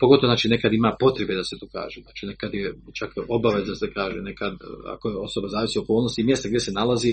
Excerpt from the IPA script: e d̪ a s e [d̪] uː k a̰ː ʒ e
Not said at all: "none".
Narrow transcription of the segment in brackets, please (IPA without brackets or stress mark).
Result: t̪